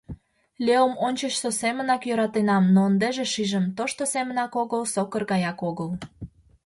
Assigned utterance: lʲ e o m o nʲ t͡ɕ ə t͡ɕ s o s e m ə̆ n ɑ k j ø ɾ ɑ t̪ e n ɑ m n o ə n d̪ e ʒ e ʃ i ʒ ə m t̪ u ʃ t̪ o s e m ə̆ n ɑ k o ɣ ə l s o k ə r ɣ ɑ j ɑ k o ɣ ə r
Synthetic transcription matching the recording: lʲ e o m o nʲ t͡ɕ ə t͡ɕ s o s e m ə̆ n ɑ k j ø ɾ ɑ t̪ e n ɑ m n o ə n d̪ e ʒ e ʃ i ʒ ə m t̪ o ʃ t̪ o s e m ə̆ n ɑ k o ɣ ə l s o k ə r ɣ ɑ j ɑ k o ɣ ə l